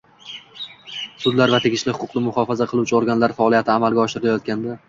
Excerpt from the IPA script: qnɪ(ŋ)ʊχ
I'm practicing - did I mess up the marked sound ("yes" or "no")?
yes